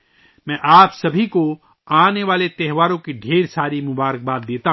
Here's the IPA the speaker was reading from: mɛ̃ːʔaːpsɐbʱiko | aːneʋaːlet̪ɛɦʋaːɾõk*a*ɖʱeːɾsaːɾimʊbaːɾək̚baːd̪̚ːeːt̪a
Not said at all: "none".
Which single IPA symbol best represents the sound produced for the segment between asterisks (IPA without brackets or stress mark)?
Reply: i